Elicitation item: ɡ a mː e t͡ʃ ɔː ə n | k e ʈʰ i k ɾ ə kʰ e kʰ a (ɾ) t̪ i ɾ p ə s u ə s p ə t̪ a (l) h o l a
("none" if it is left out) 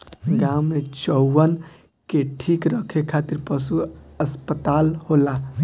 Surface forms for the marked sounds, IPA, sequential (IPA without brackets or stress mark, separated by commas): none, l